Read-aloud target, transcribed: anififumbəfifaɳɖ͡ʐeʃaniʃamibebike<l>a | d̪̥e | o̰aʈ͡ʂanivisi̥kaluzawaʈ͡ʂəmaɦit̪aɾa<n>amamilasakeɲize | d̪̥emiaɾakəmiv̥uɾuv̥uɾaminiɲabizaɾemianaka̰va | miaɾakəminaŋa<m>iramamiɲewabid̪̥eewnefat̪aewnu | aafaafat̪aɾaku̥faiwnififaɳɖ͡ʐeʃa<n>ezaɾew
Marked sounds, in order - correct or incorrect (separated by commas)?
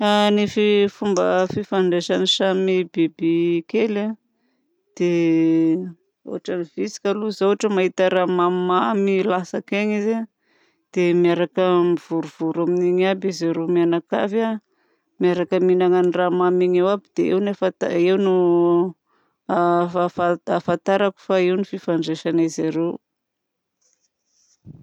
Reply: correct, incorrect, incorrect, correct